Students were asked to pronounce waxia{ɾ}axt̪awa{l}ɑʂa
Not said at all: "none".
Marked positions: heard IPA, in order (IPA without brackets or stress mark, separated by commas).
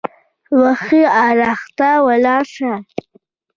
ɾ, l